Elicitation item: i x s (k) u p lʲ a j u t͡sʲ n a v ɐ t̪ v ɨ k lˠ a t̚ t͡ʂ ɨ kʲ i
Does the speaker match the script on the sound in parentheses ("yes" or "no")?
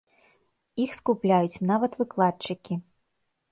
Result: yes